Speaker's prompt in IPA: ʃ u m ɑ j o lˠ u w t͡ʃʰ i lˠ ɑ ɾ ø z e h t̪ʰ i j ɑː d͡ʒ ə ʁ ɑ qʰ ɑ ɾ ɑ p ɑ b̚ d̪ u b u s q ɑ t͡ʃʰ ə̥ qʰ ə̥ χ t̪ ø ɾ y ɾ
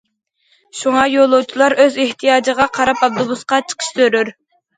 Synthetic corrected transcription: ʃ u ŋ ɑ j o lˠ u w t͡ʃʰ i lˠ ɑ ɾ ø z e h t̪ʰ i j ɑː d͡ʒ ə ʁ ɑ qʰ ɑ ɾ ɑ p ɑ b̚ d̪ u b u s q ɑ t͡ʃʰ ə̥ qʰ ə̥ ʃ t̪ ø ɾ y ɾ